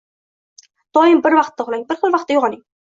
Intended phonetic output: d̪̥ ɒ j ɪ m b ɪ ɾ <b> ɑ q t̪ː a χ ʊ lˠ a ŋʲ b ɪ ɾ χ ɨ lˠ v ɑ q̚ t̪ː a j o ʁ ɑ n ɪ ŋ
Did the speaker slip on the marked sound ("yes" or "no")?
yes